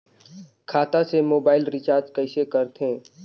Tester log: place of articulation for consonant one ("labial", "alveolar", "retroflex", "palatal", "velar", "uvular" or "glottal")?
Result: velar